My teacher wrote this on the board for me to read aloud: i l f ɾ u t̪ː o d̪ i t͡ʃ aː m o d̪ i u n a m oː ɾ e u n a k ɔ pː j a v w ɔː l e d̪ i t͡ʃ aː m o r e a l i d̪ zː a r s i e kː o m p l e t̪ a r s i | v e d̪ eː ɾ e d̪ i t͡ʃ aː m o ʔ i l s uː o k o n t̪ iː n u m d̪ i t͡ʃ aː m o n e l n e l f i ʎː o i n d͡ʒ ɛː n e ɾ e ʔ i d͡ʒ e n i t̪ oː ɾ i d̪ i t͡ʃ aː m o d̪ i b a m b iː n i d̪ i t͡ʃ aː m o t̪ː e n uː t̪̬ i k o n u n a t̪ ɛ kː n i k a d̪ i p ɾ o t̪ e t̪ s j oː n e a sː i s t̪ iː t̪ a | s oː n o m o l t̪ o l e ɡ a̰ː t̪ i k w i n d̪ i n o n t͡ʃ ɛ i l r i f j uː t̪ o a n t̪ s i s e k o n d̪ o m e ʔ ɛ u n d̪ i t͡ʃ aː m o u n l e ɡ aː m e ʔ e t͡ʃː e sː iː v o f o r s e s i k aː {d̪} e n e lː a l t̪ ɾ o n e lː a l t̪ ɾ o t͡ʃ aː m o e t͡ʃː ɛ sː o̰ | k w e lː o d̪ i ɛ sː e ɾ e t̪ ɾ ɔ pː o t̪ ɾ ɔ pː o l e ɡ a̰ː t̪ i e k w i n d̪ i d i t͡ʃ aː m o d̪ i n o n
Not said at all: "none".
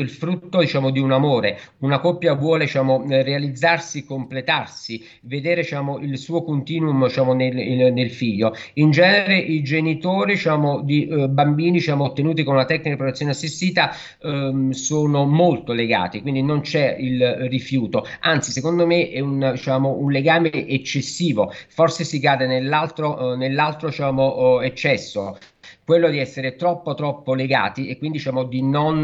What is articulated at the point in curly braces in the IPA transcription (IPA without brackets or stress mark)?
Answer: d̪